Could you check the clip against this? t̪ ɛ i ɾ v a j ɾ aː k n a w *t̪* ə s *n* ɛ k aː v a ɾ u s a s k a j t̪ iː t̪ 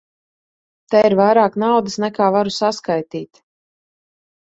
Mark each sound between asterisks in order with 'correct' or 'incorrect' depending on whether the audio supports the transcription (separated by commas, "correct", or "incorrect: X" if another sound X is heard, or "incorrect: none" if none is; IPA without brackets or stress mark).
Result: incorrect: d̪, correct